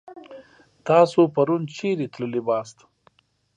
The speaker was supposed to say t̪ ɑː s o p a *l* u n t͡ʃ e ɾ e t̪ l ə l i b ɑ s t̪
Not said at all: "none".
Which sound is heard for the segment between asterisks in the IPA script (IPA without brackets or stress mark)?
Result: ɾ